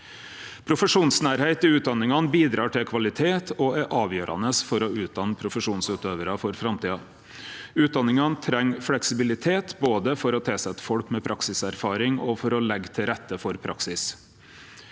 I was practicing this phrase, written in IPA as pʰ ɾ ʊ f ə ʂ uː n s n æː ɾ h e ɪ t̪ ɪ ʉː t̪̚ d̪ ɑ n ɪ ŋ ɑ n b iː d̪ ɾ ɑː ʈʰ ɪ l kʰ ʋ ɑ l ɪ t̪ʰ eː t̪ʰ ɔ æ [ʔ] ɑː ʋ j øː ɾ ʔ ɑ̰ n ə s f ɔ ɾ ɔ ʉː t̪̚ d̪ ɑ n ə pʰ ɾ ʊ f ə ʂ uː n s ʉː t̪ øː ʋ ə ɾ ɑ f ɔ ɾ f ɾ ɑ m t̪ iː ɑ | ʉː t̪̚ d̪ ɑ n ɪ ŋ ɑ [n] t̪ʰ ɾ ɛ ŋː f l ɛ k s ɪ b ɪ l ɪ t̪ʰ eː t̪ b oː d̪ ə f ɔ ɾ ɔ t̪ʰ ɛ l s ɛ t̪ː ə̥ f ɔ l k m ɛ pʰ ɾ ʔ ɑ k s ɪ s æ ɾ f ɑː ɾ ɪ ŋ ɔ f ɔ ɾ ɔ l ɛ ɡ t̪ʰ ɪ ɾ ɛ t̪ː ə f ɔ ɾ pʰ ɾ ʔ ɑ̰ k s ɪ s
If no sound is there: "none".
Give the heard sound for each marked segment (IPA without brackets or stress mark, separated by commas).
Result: ʔ, n